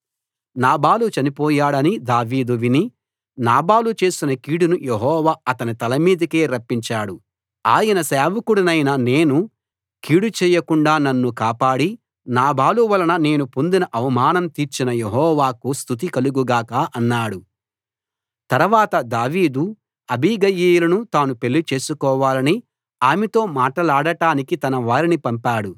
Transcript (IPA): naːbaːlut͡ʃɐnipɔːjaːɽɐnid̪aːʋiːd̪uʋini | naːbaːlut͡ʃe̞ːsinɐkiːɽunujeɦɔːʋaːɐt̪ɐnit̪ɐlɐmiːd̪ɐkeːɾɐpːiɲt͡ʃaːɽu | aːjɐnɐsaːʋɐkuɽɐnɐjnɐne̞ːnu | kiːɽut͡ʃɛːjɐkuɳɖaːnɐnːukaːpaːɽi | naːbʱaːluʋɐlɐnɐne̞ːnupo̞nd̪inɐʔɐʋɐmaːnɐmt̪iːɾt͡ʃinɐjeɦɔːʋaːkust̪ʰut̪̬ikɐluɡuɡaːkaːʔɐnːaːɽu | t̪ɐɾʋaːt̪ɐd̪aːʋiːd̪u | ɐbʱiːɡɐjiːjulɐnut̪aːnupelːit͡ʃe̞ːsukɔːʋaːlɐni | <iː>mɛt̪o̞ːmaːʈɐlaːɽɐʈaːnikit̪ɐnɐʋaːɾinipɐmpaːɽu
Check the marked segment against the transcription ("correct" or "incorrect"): incorrect